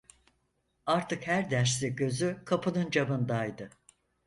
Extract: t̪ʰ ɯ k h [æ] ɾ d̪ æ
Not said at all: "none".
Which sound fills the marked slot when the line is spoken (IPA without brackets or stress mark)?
æ